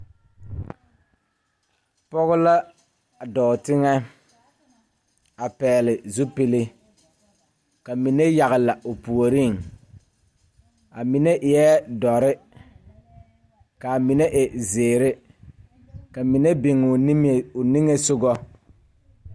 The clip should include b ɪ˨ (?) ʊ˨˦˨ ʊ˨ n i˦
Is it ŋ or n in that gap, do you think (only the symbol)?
ŋ